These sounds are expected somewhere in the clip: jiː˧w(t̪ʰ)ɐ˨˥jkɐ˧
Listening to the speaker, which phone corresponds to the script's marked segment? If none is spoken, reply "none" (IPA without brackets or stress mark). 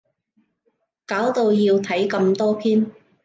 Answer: t̪ʰ